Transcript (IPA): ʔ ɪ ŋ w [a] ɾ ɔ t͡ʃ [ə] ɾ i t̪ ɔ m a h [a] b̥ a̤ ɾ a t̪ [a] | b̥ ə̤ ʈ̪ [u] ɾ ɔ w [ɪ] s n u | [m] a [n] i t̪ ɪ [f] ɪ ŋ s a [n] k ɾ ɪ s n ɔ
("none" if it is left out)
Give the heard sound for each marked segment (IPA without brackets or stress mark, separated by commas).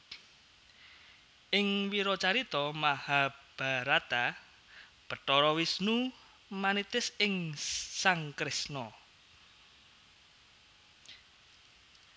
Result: i, a, a, a, ɔ, i, m, n, s, ŋ